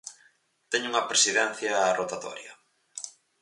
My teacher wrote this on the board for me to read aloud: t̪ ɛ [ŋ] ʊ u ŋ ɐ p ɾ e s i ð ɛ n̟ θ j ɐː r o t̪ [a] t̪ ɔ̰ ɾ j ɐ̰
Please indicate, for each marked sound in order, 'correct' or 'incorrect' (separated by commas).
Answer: incorrect, correct